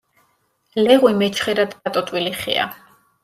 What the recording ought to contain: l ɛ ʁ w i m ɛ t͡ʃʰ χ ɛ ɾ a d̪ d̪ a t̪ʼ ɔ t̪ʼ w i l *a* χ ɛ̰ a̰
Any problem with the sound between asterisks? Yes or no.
yes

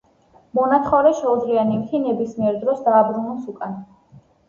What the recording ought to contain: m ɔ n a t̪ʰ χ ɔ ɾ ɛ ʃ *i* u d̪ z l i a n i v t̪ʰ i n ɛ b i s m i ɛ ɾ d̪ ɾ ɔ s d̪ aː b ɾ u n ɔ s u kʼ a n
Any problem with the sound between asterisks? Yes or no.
yes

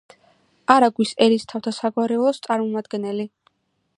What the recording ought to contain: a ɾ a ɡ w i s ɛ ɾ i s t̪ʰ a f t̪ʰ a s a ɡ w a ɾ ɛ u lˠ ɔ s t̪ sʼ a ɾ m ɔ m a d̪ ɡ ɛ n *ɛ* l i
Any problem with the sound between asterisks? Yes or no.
no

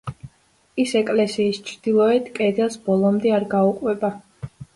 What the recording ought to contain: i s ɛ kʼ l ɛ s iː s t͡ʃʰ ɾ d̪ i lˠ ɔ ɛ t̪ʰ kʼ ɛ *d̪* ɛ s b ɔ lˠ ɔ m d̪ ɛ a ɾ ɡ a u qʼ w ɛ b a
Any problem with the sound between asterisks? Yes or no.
no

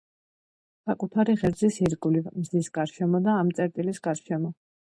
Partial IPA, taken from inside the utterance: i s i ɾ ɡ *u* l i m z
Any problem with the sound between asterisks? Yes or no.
no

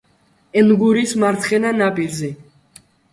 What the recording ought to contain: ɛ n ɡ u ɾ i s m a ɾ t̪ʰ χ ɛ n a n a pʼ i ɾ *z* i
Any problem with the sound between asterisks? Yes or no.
no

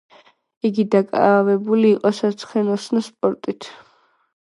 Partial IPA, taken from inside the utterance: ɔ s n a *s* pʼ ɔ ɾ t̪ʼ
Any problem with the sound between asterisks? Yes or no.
no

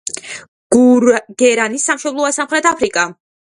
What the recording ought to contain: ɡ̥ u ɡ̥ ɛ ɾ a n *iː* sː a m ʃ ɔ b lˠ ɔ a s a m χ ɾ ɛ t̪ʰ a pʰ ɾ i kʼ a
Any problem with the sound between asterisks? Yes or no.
yes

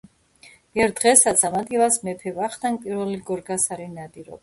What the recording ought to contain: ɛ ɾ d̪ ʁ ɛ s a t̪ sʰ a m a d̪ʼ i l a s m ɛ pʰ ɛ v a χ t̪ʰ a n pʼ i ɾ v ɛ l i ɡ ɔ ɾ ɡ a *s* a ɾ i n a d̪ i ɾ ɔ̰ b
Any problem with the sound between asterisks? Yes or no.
no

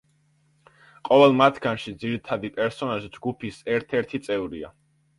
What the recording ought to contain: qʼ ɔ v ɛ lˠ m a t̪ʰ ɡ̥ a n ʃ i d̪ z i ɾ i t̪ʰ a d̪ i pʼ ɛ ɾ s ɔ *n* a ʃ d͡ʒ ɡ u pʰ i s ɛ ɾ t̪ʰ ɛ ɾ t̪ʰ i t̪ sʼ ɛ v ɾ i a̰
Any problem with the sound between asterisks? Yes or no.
no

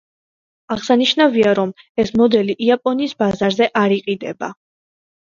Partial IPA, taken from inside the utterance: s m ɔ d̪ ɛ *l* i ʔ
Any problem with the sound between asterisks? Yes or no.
no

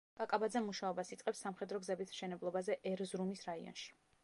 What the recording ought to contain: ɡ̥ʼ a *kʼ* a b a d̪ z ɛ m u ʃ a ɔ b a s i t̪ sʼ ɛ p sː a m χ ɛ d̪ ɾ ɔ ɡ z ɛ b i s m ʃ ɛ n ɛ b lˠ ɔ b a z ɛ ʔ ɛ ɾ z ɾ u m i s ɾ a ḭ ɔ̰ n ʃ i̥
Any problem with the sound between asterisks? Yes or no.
no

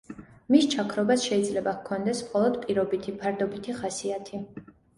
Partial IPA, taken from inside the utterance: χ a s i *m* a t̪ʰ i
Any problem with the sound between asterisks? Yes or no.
yes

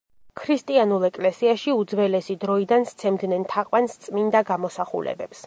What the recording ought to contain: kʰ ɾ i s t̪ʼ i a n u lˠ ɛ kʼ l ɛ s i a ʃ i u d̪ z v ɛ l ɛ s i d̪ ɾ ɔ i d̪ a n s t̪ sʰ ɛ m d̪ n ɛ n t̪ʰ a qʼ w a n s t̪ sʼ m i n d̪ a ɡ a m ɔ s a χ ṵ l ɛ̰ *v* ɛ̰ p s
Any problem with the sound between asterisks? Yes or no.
yes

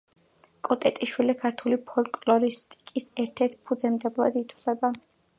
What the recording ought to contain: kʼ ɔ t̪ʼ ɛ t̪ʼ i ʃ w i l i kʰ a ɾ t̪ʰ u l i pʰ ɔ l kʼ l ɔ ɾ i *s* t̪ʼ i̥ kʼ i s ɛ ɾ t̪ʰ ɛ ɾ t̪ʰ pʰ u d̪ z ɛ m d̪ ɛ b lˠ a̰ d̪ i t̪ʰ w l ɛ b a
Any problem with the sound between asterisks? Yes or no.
no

